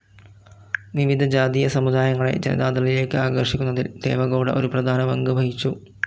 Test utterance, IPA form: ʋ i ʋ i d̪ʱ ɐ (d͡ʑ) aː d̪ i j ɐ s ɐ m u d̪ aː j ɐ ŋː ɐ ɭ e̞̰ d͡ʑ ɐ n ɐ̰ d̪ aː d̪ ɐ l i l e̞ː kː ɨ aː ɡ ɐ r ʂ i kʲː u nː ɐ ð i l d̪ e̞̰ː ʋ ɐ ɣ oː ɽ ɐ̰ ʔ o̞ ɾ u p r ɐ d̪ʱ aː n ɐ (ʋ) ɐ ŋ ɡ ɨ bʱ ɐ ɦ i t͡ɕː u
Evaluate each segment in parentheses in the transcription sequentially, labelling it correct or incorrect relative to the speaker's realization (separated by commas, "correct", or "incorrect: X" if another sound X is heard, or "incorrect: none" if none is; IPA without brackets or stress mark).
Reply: correct, correct